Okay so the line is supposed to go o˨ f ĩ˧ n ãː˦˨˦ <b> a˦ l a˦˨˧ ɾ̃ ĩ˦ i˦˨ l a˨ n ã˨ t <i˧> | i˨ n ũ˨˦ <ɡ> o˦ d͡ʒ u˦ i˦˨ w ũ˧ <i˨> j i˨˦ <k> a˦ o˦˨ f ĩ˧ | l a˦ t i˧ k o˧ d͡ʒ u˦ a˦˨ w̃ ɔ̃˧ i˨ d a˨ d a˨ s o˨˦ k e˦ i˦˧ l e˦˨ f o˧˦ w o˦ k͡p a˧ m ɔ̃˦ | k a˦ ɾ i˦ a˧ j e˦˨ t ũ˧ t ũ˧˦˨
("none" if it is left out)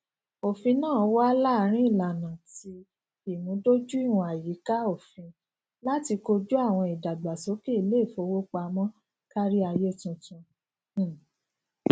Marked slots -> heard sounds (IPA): w, i˧, d, a˨, k

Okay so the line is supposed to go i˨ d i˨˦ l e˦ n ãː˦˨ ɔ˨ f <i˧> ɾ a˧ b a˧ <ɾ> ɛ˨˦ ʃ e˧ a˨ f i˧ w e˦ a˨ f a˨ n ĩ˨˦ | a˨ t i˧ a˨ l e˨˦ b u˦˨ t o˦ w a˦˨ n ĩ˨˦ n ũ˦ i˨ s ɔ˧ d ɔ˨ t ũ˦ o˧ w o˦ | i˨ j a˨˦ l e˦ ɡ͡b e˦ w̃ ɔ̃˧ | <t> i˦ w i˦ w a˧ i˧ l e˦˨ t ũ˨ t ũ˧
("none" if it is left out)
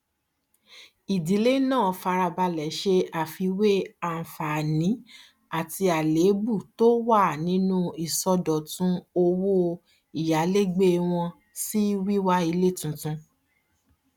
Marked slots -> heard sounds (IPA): a˧, l, s

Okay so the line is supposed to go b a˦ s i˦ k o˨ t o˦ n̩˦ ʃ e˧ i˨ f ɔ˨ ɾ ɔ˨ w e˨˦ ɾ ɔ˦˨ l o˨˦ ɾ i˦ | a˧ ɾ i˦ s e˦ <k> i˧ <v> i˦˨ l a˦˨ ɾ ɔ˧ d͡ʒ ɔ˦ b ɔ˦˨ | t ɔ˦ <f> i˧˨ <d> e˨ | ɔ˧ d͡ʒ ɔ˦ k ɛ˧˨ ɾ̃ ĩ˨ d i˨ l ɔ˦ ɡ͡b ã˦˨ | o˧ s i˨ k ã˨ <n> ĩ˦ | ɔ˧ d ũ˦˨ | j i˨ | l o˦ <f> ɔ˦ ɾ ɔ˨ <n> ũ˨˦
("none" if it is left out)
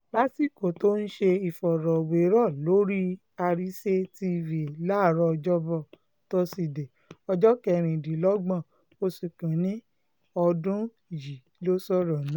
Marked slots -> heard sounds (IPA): t, v, s, d, n, s, n

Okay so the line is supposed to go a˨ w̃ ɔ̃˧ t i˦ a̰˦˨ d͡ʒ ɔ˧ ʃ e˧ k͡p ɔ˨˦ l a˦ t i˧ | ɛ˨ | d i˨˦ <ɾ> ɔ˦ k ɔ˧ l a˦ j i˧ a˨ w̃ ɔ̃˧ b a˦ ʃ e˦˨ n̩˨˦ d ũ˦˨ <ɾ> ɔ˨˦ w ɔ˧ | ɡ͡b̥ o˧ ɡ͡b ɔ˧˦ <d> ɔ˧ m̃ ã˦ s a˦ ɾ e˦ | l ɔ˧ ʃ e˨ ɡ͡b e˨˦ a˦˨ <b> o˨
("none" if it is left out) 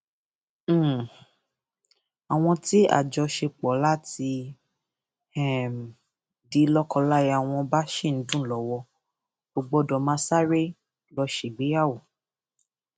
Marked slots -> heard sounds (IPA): l, l, d, w

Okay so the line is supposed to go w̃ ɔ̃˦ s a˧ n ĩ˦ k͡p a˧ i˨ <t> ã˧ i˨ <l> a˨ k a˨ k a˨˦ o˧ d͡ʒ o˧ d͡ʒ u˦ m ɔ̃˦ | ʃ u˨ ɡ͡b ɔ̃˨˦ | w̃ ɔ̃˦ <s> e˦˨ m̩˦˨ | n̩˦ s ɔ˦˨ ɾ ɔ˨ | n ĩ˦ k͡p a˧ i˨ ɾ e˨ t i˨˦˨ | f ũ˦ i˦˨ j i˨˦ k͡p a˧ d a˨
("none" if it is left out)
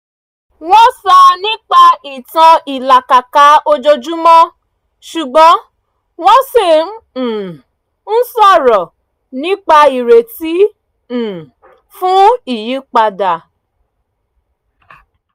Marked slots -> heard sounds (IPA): t, l, s

